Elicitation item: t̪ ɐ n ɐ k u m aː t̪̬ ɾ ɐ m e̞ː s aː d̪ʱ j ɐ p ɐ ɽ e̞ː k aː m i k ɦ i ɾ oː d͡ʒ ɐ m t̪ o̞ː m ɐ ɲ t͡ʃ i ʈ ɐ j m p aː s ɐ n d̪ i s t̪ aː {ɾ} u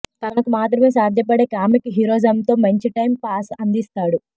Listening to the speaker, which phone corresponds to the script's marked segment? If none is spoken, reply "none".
ɽ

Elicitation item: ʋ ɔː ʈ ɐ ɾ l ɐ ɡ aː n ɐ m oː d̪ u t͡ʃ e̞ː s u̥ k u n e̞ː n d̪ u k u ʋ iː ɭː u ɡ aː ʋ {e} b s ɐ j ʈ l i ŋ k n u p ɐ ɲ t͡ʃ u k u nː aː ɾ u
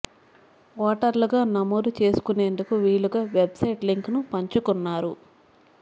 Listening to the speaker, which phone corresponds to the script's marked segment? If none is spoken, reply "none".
e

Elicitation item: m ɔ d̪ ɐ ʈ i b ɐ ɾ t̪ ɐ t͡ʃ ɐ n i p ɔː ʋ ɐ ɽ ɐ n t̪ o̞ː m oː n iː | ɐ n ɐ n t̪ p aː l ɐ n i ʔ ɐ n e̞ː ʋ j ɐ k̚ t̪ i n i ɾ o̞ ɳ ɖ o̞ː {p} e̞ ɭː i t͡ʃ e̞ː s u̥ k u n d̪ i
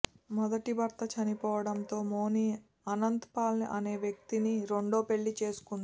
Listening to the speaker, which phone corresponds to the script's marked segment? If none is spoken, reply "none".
p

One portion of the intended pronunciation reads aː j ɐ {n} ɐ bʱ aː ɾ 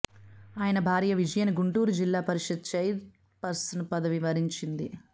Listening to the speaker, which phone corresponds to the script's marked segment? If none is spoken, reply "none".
n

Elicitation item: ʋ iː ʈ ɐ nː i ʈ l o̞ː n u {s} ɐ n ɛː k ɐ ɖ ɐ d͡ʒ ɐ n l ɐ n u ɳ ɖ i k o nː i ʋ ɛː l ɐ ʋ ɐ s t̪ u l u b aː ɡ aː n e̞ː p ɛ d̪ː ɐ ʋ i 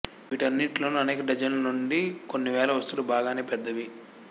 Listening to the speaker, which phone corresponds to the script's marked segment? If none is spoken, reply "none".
none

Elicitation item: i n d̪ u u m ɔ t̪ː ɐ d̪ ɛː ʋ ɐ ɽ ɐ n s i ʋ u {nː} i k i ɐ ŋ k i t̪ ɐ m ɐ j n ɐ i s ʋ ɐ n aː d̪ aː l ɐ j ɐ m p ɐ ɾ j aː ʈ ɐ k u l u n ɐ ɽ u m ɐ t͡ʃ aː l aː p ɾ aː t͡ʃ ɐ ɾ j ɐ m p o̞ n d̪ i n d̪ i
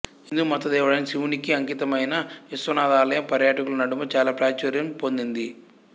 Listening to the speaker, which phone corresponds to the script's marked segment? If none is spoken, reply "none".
n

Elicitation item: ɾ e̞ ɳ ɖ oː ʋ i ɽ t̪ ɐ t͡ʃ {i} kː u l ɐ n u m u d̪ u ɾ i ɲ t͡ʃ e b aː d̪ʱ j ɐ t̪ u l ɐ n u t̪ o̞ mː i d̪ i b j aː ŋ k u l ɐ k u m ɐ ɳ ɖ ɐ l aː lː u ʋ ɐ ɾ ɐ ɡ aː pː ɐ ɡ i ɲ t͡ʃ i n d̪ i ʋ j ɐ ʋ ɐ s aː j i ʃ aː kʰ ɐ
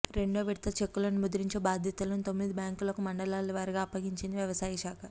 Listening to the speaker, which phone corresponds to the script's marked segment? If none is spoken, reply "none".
e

